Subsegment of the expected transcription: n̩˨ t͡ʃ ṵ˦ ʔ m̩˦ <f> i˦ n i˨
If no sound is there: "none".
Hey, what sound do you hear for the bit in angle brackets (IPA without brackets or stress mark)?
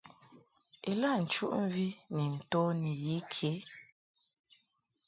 v